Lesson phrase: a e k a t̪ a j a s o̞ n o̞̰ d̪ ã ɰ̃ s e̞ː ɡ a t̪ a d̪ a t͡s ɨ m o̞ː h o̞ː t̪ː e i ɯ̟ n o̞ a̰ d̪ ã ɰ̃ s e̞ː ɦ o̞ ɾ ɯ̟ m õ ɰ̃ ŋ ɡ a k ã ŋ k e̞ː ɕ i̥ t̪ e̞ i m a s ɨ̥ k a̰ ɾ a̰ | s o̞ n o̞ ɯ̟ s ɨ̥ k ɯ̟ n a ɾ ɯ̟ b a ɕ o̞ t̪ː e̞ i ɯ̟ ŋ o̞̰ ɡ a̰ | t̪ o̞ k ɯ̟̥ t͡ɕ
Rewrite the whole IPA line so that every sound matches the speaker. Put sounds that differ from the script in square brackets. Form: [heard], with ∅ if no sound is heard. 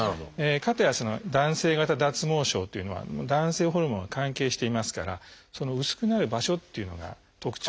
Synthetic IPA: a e k a t̪ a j a s o̞ n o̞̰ d̪ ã ɰ̃ s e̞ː ɡ a t̪ a d̪ a t͡s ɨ m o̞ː [ɕ] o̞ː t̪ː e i ɯ̟ n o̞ a̰ d̪ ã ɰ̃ s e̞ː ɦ o̞ ɾ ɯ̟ m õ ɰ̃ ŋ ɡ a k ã ŋ k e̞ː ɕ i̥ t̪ e̞ i m a s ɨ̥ k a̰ ɾ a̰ | s o̞ n o̞ ɯ̟ s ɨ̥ k ɯ̟ n a ɾ ɯ̟ b a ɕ o̞ t̪ː e̞ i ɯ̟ [n] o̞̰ ɡ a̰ | t̪ o̞ k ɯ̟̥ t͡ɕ